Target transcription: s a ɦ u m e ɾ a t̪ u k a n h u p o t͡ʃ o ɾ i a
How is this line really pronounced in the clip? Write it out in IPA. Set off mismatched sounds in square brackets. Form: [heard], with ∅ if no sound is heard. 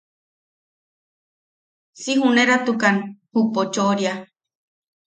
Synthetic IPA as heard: s [i] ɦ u [n] e ɾ a t̪ u k a n h u p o t͡ʃ o ɾ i a